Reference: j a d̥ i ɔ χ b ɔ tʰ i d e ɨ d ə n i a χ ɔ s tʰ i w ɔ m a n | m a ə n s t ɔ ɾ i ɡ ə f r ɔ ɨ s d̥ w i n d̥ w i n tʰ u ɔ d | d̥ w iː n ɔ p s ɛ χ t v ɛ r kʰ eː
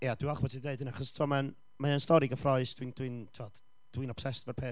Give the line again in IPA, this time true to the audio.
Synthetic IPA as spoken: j a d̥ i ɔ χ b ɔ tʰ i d e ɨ d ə n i a χ ɔ s tʰ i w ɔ m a n | m a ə n s t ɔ ɾ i ɡ ə f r ɔ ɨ s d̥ w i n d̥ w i n tʰ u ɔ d | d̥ w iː n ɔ p s ɛ s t v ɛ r pʰ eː